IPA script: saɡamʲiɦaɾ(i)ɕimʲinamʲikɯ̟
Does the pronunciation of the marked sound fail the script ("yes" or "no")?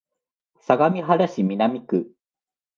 yes